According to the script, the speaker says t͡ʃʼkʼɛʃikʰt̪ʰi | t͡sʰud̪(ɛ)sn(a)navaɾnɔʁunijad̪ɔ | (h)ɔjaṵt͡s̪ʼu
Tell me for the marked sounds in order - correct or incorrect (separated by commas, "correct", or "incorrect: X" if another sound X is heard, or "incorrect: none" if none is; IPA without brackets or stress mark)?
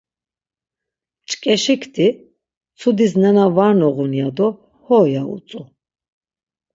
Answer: incorrect: i, incorrect: ɛ, correct